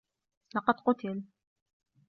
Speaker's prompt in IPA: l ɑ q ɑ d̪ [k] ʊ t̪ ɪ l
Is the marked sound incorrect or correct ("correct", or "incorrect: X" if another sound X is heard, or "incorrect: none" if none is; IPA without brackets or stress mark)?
incorrect: q